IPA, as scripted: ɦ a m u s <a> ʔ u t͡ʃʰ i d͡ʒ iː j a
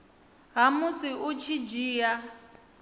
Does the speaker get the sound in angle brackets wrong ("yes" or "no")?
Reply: yes